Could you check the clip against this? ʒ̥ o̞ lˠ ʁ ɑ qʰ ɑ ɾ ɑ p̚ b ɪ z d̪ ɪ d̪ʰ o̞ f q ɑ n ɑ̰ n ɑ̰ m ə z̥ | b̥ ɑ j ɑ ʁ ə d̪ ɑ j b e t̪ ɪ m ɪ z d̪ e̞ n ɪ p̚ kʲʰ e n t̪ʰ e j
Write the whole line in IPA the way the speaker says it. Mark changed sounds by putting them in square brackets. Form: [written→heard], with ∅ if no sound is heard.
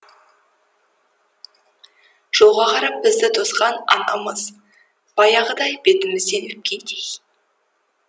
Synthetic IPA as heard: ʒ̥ o̞ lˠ ʁ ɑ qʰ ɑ ɾ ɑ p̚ b ɪ z d̪ ɪ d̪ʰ o̞ [f→s] q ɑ n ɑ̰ n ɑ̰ m ə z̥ | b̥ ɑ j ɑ ʁ ə d̪ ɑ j b e t̪ ɪ m ɪ z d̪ e̞ n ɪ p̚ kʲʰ e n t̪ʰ e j